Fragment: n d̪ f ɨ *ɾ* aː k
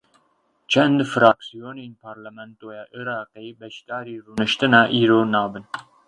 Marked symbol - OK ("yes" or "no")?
yes